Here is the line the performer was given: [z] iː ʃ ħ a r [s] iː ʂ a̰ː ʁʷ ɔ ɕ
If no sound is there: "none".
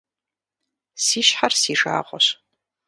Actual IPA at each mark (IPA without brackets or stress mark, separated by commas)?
s, s